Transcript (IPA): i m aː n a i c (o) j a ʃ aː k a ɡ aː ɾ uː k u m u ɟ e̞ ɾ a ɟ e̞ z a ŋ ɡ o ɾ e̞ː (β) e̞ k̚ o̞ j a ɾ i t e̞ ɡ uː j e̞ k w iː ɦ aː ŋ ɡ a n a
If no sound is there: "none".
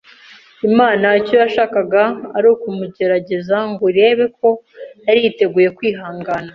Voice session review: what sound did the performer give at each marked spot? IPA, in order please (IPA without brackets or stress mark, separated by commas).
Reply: o, β